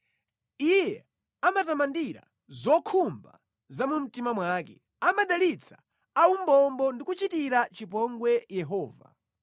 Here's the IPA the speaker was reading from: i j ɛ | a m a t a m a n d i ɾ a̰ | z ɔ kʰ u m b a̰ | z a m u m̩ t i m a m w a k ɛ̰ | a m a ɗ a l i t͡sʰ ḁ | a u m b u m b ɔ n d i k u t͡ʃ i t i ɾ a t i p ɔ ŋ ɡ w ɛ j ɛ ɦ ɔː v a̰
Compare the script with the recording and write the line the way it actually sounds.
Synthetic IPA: i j ɛ | a m a t a m a n d i ɾ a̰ | z ɔ kʰ u m b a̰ | z a m u m̩ t i m a m w a k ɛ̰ | a m a ɗ a l i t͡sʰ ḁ | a u m b ɔ m b ɔ n d i k u t͡ʃ i t i ɾ a t͡ʃ i p ɔ ŋ ɡ w ɛ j ɛ ɦ ɔː v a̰